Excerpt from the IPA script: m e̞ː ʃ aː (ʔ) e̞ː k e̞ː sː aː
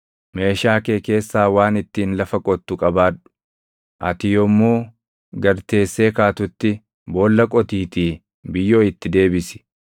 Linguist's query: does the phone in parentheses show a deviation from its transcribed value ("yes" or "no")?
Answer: yes